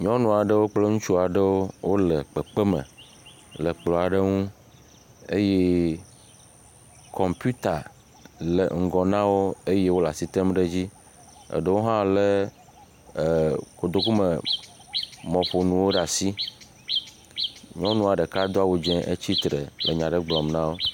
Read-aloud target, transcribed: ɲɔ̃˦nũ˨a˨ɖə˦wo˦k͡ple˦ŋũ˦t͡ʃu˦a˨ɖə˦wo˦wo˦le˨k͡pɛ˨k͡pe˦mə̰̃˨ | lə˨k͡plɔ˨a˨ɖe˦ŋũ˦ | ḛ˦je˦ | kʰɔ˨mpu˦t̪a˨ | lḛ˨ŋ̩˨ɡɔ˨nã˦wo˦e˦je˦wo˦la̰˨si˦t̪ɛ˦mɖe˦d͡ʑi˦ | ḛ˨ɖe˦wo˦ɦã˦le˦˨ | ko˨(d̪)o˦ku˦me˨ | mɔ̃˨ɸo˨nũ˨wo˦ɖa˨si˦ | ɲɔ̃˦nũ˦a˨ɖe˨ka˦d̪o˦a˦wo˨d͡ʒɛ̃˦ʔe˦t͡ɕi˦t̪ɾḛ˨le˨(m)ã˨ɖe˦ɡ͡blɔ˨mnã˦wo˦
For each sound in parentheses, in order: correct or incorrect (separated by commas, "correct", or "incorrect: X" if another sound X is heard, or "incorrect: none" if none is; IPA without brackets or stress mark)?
correct, incorrect: ɲ